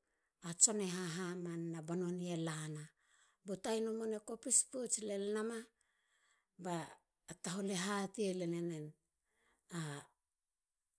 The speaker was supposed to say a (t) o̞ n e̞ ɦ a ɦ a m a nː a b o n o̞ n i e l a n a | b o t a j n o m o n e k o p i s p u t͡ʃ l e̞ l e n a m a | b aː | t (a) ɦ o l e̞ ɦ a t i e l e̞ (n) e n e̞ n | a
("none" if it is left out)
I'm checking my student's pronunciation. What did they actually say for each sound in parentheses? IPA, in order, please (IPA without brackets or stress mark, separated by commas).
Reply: t͡ʃ, a, n